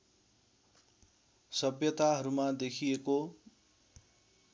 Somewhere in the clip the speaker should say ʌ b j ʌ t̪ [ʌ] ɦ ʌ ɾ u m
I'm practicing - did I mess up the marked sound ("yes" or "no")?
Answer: yes